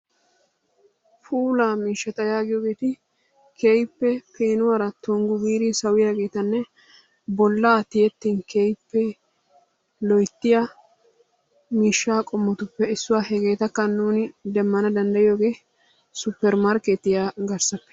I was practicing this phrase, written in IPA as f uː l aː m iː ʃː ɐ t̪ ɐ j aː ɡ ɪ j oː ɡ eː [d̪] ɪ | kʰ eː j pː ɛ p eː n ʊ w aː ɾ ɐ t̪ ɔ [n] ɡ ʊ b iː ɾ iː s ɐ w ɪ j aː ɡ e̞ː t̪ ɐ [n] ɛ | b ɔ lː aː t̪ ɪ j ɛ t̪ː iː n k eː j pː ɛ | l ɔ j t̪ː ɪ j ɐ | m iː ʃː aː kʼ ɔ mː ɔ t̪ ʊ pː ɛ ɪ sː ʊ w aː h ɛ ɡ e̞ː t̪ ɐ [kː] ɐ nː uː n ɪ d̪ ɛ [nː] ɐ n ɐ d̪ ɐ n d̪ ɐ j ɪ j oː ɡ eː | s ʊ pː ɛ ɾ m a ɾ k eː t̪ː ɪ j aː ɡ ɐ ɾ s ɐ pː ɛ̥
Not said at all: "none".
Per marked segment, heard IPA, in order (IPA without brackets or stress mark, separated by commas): t̪, ŋ, nː, kː, mː